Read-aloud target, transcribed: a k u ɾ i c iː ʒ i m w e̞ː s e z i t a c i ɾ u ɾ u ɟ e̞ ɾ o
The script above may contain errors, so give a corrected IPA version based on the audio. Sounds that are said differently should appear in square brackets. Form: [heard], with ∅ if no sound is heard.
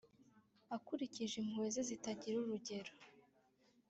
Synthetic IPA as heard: a k u ɾ i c [i] ʒ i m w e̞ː [z] e z i t a [ɟ] i ɾ u ɾ u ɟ e̞ ɾ o